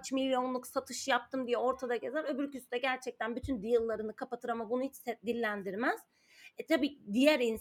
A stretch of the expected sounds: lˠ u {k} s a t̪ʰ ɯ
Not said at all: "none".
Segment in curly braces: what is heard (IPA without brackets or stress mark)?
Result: k